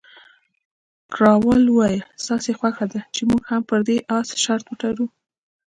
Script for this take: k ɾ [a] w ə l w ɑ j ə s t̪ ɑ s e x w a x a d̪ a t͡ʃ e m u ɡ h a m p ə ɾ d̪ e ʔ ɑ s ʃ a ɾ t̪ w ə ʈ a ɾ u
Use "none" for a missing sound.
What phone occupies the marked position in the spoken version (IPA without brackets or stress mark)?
ɑ